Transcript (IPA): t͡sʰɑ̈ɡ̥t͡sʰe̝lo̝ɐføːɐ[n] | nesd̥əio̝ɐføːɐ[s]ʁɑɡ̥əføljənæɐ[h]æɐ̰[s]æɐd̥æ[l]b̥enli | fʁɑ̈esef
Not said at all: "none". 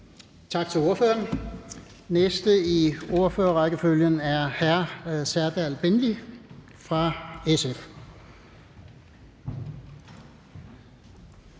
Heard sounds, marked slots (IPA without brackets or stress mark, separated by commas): n, none, h, s, l